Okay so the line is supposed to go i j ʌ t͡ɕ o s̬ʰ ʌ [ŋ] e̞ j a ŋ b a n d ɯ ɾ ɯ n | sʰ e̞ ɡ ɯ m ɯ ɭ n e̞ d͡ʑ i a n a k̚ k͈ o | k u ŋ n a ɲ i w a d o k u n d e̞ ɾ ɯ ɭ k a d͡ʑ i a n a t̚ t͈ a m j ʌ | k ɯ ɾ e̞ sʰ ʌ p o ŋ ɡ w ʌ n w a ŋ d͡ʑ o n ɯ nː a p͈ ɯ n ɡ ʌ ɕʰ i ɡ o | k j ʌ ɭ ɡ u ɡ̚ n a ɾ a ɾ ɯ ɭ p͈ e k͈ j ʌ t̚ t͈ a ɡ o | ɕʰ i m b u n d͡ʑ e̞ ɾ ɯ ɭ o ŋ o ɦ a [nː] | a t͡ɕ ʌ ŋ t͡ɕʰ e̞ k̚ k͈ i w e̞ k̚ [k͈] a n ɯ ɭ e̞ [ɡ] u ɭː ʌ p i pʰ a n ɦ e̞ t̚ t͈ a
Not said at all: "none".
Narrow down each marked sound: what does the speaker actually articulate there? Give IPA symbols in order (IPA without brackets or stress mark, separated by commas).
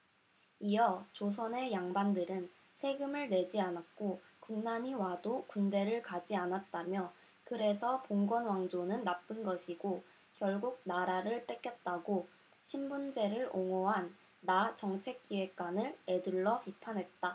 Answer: n, nː, k͈, d